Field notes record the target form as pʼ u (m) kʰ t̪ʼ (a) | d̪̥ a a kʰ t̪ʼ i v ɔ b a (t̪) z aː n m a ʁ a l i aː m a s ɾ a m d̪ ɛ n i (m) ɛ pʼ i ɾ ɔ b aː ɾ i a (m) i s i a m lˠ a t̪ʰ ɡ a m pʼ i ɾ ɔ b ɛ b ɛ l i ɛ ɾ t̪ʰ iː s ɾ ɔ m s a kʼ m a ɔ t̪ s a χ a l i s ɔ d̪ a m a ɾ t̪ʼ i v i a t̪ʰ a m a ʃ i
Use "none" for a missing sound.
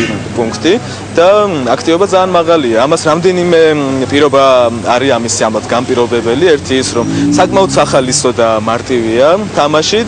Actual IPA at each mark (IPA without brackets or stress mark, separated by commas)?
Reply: ŋ, i, d̪, m, m